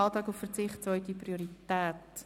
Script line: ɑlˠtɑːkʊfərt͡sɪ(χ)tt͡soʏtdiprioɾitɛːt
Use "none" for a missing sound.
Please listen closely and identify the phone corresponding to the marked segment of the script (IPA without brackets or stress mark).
χ